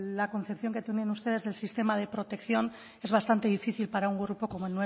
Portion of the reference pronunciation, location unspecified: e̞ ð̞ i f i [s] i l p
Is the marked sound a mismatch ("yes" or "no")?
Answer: yes